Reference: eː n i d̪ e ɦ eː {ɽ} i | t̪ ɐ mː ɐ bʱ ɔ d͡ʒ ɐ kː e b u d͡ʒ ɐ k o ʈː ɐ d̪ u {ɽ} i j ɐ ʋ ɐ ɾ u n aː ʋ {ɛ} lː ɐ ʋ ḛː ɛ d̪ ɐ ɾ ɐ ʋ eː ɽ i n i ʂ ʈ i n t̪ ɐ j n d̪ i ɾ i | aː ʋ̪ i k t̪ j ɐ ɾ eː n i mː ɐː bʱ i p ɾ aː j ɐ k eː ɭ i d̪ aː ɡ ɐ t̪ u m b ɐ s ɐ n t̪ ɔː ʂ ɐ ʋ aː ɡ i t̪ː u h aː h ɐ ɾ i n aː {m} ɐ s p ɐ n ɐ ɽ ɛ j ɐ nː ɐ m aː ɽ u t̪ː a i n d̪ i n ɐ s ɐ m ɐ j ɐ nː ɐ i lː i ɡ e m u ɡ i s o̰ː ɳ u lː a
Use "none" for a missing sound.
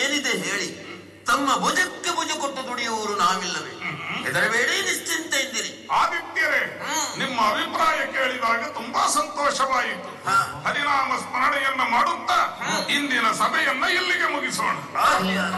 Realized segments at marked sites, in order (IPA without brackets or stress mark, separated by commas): ɭ, ɽ, i, m